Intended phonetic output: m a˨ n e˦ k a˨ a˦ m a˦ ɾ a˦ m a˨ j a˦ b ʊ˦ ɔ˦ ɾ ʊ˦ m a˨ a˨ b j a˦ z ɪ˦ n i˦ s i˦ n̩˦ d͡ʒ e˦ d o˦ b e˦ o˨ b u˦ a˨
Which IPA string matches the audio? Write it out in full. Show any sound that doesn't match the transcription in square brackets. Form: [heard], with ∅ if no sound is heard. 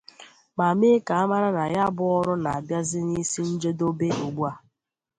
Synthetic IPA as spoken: m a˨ [m] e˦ k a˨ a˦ m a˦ ɾ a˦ [n] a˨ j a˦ b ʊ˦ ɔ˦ ɾ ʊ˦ [n] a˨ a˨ b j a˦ z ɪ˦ n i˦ s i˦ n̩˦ d͡ʒ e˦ d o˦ b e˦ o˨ [ɡ͡b] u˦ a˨

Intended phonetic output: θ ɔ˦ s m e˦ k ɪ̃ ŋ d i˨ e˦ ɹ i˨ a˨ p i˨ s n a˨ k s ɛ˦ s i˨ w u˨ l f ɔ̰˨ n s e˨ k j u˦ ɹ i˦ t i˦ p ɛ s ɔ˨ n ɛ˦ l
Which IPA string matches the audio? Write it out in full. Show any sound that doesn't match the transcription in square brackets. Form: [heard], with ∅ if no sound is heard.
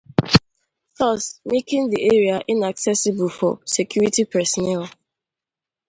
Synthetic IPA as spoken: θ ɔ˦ s m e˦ k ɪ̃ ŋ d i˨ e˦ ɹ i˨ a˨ [ʔ] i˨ [∅] n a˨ k s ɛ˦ s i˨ [b] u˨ l f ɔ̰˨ [∅] s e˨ k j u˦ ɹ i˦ t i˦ p ɛ s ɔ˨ n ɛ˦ l

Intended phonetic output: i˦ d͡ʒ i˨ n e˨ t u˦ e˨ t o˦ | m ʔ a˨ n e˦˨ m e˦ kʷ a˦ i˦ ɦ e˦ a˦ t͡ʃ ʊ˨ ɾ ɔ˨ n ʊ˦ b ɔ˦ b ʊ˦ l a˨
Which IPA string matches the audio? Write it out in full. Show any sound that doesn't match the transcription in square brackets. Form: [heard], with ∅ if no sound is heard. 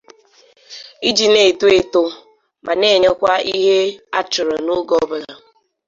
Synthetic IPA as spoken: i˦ d͡ʒ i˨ n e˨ t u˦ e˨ t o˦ | m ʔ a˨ n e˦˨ [ɲ] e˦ kʷ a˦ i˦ ɦ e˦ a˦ t͡ʃ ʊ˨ ɾ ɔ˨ n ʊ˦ [ɡ] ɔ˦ b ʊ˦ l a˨

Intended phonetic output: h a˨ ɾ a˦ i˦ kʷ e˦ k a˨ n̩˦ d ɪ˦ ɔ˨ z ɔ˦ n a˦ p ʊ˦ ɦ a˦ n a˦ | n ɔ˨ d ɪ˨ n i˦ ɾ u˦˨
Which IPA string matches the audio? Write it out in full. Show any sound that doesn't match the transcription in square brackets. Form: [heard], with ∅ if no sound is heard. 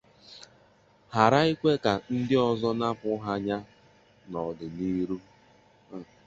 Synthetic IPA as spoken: h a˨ ɾ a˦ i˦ kʷ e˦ k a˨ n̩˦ d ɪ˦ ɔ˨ z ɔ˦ n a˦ p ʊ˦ ɦ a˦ [ɲ] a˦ | n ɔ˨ d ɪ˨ n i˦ ɾ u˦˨

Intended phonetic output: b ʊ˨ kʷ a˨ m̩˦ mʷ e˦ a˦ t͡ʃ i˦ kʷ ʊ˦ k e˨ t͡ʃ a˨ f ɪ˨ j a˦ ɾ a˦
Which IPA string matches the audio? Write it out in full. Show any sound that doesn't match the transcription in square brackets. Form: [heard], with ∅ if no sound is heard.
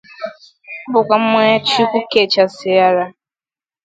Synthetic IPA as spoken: b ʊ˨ kʷ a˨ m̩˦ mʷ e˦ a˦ t͡ʃ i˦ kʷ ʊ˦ k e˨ t͡ʃ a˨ [s] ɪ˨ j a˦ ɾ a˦

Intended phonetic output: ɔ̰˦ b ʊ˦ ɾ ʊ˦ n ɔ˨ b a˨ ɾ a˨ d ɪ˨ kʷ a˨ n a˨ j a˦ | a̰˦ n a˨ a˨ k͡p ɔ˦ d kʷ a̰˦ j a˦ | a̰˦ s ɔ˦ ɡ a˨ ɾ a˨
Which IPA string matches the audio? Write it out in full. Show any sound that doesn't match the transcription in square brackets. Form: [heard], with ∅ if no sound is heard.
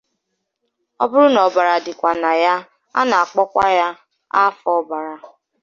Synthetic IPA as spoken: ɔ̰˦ b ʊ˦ ɾ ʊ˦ n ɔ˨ b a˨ ɾ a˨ d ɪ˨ kʷ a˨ n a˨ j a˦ | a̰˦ n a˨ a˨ k͡p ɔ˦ [∅] kʷ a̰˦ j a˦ | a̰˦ [f] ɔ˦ [b] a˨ ɾ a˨

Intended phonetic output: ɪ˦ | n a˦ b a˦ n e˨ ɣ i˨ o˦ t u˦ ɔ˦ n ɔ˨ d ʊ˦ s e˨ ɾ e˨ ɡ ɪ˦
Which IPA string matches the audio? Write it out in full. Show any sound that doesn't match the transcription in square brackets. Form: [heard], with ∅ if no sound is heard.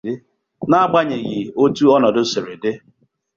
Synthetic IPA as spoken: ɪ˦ | n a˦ [ɡ͡b] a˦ [ɲ] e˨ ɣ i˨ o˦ t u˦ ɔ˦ n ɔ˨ d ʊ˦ s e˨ ɾ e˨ [d] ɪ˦

